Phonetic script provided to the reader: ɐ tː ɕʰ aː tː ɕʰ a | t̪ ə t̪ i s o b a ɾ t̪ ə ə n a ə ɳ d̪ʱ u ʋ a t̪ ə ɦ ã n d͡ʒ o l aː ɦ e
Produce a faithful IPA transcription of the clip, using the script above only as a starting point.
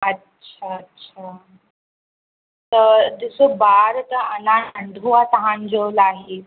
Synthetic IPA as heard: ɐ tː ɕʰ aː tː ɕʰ a | t̪ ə d̪ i s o b a ɾ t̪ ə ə n a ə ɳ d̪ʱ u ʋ a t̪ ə ɦ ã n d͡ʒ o l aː ɦ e